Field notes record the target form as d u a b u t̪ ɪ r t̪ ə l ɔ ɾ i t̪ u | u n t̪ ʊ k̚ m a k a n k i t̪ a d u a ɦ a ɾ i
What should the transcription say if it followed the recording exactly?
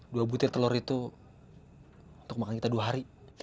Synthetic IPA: d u a b u t̪ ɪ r t̪ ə l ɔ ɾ i t̪ u | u n t̪ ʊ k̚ m a k a n k i t̪ a d u a ɦ a ɾ i